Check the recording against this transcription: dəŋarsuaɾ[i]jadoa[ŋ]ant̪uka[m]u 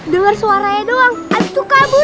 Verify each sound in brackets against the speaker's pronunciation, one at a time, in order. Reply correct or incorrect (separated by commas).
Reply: incorrect, correct, incorrect